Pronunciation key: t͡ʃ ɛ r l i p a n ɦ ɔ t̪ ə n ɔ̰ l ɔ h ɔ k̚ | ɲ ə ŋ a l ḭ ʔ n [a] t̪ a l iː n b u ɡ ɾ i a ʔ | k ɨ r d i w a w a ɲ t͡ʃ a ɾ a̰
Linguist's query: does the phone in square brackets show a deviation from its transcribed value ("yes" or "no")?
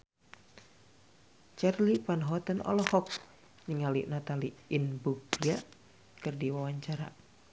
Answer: no